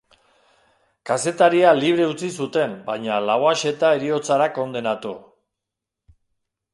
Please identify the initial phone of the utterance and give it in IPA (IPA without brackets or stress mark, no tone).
k